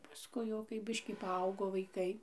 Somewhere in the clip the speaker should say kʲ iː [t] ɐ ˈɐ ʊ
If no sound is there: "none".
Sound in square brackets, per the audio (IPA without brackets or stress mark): p